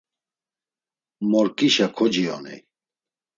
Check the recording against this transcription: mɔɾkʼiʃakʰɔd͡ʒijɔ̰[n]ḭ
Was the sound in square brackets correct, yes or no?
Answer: yes